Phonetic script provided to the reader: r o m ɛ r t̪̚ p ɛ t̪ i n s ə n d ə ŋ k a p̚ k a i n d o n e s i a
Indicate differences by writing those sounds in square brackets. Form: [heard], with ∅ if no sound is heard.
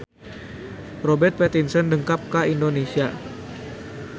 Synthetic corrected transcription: r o [b] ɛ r t̪̚ p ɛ t̪ i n s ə n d ə ŋ k a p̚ k a i n d o n e s i a